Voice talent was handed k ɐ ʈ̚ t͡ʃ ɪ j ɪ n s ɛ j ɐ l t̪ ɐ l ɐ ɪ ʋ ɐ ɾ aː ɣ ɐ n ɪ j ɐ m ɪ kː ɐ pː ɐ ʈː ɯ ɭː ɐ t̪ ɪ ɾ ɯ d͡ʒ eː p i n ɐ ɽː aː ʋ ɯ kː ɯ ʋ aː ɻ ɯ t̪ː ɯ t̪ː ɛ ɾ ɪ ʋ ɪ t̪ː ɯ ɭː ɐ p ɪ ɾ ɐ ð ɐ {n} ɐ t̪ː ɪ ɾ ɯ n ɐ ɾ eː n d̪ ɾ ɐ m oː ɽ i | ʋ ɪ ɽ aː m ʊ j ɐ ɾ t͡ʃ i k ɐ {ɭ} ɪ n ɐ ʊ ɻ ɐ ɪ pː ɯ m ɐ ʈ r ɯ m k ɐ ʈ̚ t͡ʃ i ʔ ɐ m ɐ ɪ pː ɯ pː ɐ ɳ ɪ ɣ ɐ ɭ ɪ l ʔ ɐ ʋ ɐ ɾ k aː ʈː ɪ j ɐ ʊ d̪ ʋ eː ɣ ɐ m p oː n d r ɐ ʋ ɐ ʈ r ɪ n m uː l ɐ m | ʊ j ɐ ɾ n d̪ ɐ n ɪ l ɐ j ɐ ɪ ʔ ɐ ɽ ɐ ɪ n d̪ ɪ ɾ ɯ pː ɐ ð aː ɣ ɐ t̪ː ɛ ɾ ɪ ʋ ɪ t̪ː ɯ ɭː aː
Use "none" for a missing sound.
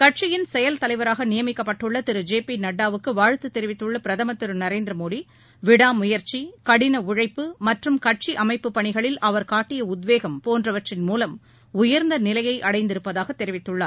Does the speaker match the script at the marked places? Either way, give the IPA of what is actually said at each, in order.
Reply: m, ɽ

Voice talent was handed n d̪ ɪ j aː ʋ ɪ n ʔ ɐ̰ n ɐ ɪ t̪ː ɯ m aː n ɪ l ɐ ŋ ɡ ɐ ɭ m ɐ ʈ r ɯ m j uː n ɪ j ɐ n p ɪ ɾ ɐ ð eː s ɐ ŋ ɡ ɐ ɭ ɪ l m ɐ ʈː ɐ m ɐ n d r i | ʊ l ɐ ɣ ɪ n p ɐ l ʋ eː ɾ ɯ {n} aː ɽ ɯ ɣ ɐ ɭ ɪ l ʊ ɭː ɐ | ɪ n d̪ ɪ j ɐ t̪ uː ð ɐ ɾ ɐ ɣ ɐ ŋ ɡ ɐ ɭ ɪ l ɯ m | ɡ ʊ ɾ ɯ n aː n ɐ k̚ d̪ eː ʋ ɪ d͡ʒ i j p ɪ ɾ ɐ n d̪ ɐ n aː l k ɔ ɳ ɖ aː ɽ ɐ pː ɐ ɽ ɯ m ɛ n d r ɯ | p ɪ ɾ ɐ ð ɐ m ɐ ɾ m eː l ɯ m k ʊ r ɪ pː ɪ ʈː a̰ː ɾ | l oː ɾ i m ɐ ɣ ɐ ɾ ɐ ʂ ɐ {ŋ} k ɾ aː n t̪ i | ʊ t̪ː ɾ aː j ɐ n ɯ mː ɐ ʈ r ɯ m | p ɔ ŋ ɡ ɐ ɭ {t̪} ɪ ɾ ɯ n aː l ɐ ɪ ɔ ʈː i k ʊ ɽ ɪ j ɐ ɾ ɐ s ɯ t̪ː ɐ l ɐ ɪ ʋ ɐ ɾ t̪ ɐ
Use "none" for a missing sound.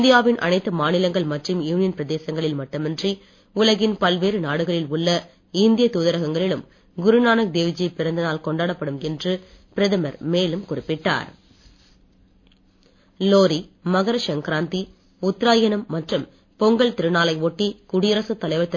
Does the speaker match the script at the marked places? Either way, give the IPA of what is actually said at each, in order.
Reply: n, ŋ, t̪

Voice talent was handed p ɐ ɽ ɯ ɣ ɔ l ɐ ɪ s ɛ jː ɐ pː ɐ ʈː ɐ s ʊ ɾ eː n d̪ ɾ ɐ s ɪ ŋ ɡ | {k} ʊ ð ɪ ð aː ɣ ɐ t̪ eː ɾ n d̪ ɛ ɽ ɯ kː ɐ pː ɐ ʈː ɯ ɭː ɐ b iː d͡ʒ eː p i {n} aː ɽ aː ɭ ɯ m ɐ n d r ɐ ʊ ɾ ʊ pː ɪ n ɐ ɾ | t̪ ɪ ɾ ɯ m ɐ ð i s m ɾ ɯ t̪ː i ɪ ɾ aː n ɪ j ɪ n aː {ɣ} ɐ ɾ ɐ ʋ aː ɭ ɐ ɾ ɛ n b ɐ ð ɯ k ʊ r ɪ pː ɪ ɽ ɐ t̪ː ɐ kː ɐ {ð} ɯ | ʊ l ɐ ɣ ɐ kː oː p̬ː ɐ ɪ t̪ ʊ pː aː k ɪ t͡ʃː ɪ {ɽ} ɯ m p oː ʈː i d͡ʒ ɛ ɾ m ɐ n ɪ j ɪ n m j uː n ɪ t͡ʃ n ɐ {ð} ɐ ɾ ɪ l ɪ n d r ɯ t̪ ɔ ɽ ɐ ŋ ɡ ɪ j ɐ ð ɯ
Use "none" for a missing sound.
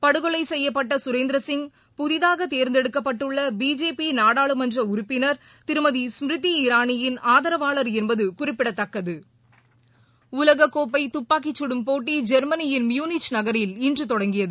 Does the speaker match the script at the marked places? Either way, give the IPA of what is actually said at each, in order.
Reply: p, n, ð, ð, ɽ, ɣ

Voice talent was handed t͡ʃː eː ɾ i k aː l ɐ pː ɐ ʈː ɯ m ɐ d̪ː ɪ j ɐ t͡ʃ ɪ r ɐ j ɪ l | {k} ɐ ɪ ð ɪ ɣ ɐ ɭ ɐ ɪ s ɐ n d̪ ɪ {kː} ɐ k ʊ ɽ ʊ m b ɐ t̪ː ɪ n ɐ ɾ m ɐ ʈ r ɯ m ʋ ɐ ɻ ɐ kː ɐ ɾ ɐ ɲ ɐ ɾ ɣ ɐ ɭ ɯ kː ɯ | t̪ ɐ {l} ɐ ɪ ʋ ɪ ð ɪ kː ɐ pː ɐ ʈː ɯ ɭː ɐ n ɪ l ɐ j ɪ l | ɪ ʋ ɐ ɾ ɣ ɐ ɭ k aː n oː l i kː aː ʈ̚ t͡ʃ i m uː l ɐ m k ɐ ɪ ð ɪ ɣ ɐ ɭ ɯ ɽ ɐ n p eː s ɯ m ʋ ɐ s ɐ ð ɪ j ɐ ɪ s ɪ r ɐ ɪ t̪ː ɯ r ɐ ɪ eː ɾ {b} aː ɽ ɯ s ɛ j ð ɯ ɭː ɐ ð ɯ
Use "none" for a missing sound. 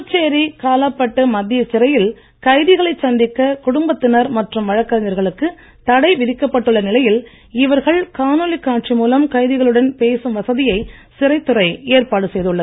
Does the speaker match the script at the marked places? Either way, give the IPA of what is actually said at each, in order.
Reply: k, kː, ɽ, p

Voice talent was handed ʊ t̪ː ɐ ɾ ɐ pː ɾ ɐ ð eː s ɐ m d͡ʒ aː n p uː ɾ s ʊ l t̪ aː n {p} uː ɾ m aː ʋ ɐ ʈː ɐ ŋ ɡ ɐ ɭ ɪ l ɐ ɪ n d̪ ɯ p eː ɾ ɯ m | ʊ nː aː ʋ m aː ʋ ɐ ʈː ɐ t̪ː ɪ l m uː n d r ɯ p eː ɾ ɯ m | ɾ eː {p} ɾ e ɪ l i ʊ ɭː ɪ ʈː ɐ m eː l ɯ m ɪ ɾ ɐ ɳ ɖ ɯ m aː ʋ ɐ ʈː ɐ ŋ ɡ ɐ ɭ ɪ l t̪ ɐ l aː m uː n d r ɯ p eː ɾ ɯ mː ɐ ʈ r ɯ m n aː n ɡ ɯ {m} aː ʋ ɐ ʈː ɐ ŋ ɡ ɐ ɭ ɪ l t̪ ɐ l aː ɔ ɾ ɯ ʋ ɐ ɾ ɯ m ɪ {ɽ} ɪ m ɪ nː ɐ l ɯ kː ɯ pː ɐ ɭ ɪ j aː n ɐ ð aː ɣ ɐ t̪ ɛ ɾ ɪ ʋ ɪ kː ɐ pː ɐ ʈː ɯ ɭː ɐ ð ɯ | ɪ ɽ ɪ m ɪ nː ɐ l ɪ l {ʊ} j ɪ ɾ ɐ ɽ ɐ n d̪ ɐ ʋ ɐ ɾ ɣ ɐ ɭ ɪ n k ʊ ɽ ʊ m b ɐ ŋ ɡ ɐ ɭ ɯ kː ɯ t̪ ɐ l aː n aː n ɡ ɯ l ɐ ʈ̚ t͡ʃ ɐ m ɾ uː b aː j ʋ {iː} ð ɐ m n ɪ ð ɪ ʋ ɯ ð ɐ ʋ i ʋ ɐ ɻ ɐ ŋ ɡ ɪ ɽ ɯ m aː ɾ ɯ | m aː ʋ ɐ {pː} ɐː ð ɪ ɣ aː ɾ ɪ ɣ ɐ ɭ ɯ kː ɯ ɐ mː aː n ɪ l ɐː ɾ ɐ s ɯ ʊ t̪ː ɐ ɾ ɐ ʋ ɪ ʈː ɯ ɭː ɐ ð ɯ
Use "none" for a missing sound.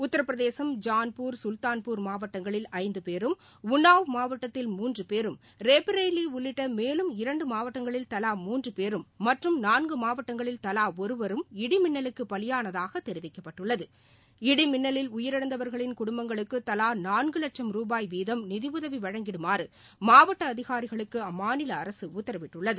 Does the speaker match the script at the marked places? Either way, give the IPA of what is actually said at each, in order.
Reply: p, p, m, ɽ, ʊ, iː, ʈː

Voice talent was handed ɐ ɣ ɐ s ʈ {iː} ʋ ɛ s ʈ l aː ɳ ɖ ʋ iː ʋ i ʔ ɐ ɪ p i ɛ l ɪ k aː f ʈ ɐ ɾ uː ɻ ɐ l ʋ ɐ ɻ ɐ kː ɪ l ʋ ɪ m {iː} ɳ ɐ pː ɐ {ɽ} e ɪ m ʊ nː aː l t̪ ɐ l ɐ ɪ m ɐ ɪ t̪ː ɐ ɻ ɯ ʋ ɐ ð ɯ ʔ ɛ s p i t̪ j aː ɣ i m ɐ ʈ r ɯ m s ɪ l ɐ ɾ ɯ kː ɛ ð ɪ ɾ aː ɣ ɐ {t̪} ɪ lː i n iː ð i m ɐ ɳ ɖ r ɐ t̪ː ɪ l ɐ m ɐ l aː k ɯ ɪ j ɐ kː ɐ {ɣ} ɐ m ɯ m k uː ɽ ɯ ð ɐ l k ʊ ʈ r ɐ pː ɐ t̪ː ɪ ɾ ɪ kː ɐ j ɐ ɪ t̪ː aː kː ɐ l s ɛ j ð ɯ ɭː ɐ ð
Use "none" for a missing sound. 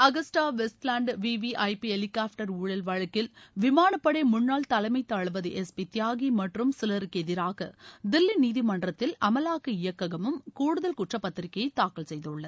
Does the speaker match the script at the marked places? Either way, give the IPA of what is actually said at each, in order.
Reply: aː, aː, ɽ, d̪, ɣ

